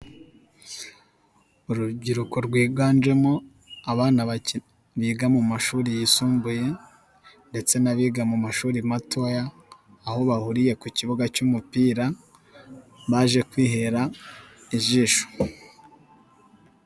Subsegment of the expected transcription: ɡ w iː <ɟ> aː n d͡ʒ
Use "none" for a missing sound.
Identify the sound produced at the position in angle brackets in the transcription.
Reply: ɡ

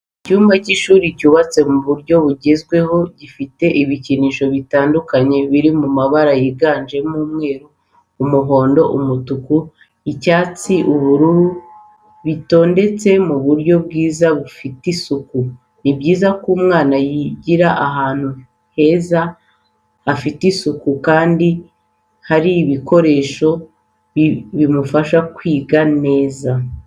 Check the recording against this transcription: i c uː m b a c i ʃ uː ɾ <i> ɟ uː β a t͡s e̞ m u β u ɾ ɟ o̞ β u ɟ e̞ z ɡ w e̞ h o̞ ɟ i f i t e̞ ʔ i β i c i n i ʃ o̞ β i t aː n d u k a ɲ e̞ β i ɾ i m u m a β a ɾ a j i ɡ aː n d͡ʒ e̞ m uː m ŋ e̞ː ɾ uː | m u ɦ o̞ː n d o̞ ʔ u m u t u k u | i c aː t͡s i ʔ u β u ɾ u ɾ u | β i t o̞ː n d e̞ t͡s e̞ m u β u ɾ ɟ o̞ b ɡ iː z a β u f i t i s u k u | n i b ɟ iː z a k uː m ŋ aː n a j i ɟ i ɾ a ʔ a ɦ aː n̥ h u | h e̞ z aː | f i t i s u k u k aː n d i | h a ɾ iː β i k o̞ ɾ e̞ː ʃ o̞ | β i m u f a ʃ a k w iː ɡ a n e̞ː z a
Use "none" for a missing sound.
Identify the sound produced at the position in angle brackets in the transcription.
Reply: i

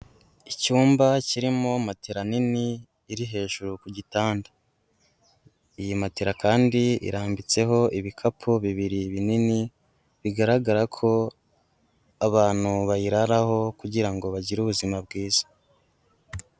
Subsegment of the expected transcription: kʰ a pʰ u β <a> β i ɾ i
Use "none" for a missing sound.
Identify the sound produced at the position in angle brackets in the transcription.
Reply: i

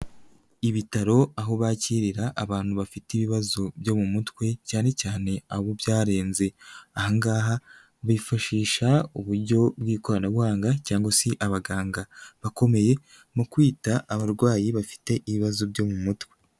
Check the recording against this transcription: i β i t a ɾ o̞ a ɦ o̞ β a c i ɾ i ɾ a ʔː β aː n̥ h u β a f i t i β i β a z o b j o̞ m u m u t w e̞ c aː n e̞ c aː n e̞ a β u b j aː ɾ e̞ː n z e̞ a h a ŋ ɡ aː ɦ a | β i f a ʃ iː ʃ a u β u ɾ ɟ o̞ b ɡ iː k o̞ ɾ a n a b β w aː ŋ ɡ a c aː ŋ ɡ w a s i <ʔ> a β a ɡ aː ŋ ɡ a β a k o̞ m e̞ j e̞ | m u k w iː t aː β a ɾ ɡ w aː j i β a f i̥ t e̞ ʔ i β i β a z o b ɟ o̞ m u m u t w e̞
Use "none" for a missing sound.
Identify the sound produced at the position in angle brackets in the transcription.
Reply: ʔ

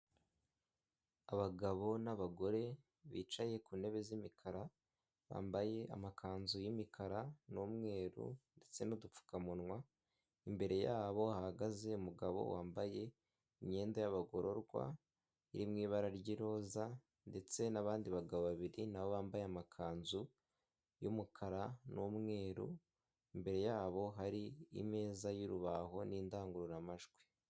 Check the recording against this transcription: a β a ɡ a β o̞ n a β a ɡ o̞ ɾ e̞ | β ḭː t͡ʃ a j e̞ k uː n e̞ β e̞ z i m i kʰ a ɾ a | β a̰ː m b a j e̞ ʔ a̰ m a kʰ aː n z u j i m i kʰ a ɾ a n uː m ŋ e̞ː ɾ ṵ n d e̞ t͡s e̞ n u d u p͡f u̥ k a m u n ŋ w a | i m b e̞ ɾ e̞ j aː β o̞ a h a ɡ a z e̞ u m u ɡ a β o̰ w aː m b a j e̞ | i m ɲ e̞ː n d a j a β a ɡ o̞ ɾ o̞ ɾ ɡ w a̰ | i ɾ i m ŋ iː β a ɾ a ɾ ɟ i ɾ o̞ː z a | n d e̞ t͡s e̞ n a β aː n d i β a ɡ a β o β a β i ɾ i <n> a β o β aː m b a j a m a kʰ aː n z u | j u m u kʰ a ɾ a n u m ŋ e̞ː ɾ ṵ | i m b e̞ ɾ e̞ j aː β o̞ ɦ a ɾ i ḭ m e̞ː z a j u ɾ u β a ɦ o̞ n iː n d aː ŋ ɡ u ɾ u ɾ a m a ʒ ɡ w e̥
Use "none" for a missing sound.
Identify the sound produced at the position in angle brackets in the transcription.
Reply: n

